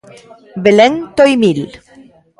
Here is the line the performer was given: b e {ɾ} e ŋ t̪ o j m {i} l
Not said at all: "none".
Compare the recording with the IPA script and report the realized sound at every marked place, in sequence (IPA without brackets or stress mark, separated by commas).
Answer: l, i